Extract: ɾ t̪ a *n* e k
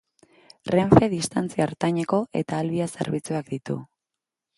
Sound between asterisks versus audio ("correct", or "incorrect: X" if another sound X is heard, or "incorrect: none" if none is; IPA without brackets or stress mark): incorrect: ɲ